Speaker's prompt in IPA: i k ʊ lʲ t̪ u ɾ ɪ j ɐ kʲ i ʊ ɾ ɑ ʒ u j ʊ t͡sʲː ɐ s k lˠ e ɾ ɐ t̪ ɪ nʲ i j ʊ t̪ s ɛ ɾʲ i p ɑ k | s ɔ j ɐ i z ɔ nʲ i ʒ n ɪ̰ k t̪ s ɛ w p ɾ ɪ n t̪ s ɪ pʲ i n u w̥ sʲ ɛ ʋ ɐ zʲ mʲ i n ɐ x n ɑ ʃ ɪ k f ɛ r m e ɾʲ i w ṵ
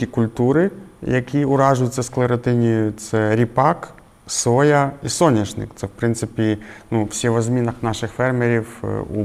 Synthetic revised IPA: i k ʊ lʲ t̪ u ɾ ɪ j ɐ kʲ i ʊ ɾ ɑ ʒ ʊ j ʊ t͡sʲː ɐ s k lˠ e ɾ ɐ t̪ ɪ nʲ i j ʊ t̪ s ɛ ɾʲ i p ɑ k | s ɔ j ɐ i s ɔ nʲ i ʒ n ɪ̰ k t̪ s ɛ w p ɾ ɪ n t̪ s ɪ pʲ i n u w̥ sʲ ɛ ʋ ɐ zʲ mʲ i n ɐ x n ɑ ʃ ɪ x f ɛ r m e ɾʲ i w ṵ